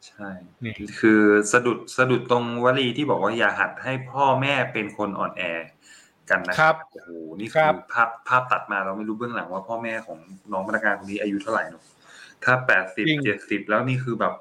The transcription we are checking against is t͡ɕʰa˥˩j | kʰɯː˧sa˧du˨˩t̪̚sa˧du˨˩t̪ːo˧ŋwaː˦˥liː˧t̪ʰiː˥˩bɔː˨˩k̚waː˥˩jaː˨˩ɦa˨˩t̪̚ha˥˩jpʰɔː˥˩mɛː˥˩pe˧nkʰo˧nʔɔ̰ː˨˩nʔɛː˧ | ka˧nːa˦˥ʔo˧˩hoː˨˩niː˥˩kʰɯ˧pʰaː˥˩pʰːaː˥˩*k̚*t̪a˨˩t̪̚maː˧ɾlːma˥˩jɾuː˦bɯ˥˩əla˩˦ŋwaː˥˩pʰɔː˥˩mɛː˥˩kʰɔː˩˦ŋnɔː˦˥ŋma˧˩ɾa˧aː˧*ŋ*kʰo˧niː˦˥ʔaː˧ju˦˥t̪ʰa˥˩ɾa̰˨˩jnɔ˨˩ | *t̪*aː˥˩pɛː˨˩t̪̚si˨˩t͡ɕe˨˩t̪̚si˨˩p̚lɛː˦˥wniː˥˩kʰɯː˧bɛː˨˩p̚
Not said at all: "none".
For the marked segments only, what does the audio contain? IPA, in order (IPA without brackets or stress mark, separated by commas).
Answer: p̚, n, t̪ʰ